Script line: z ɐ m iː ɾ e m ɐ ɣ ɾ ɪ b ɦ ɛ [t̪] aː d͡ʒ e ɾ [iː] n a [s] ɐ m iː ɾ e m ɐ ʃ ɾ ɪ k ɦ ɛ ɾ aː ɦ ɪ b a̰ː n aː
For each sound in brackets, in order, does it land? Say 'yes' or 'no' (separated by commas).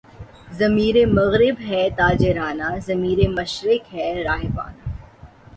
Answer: yes, no, no